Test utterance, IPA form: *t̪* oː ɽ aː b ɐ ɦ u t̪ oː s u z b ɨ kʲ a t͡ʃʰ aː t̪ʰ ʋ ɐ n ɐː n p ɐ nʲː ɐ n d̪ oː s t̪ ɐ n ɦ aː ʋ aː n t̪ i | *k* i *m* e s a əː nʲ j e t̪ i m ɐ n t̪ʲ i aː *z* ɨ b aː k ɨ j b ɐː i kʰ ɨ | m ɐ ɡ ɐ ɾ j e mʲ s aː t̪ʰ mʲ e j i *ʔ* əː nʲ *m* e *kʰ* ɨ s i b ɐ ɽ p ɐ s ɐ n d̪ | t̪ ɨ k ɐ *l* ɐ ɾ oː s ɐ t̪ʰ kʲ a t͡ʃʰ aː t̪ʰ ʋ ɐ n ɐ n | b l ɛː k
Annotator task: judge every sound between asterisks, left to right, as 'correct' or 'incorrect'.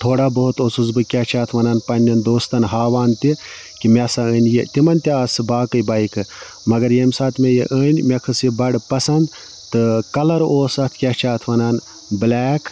incorrect, correct, correct, incorrect, correct, correct, correct, correct

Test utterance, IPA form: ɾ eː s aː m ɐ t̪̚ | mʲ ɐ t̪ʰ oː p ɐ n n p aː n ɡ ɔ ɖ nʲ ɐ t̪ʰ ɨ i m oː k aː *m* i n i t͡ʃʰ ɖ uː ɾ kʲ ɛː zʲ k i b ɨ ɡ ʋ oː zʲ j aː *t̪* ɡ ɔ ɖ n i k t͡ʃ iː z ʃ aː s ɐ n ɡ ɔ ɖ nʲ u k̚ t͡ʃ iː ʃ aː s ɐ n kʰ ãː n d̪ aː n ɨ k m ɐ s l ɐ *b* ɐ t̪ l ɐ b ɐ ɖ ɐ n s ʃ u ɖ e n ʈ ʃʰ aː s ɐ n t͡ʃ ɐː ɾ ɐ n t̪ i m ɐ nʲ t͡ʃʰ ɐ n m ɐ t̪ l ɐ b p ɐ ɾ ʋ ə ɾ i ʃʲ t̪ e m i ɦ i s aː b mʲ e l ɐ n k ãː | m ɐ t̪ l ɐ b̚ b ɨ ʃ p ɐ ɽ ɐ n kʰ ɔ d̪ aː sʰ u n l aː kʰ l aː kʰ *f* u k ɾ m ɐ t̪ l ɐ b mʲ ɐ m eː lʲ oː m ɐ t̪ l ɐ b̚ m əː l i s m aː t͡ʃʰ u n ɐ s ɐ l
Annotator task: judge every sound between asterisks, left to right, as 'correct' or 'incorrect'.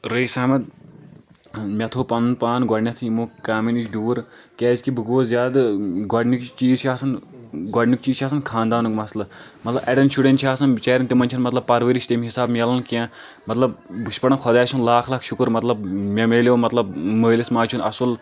correct, incorrect, incorrect, incorrect

